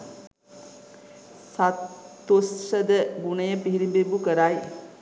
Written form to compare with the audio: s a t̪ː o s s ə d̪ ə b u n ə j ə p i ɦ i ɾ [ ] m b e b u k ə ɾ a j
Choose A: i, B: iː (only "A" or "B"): A